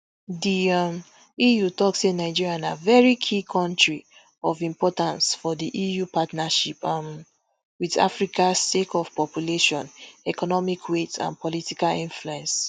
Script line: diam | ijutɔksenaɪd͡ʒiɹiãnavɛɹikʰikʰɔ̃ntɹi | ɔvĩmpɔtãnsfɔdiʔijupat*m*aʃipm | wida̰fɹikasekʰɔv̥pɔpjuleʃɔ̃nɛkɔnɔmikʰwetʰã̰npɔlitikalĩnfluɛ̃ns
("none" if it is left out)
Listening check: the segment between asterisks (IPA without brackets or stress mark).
n